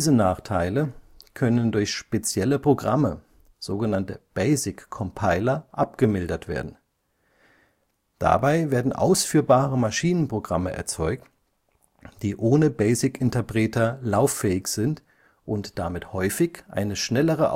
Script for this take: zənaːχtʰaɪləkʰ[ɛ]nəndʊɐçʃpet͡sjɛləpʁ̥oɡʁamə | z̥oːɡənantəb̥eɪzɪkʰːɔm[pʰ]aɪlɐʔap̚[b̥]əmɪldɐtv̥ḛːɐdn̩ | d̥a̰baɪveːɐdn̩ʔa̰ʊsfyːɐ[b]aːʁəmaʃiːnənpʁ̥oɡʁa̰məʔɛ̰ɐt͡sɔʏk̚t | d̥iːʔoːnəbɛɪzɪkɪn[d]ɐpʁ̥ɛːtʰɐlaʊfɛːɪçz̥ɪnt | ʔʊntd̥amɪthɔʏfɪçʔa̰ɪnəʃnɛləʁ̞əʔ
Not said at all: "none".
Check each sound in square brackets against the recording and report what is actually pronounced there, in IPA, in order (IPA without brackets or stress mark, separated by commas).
œ, pʰ, ɡ̥, b, t